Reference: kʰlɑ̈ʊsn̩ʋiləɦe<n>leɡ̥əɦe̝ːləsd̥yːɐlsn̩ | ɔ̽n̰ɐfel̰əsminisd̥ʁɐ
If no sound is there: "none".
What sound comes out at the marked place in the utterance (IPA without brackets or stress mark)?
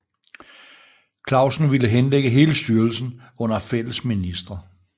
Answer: n